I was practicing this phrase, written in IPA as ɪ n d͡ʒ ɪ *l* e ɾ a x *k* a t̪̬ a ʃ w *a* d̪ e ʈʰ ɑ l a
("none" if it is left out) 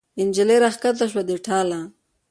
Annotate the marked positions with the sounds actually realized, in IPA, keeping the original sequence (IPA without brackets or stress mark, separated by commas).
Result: l, k, a